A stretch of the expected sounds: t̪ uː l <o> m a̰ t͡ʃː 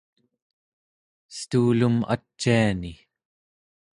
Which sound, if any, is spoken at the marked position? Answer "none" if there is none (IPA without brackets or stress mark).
u